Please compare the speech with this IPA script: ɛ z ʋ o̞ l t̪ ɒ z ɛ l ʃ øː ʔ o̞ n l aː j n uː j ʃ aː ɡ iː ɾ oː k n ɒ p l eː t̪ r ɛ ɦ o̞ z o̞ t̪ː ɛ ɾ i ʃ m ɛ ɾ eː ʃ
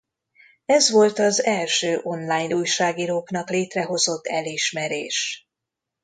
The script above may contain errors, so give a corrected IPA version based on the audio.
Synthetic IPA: ɛ z ʋ o̞ l t̪ ɒ z ɛ l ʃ øː ʔ o̞ n l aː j n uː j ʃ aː ɡ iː ɾ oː k n ɒ k l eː t̪ r ɛ ɦ o̞ z o̞ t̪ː ɛ l i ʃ m ɛ ɾ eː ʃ